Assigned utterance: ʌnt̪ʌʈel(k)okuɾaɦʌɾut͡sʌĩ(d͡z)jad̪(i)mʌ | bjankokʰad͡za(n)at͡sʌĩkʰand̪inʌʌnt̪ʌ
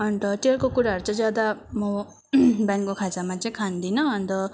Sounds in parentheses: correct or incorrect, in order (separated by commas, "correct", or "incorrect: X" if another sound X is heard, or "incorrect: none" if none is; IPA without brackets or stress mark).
correct, correct, incorrect: a, incorrect: m